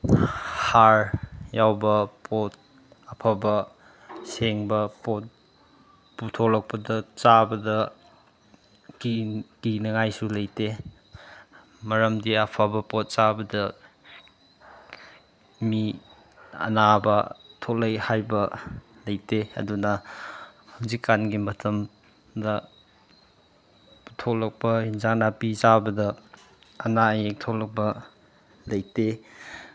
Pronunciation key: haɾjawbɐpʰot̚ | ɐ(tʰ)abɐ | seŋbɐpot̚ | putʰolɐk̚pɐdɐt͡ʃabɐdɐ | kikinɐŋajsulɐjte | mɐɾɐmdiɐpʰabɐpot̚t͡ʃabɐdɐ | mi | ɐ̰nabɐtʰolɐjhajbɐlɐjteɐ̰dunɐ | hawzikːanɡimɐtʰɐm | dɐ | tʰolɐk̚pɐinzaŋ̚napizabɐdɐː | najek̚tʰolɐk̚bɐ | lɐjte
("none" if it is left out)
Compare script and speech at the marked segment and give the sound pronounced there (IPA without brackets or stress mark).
pʰ